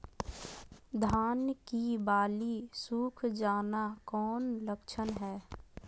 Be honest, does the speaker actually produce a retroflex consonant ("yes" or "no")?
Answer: no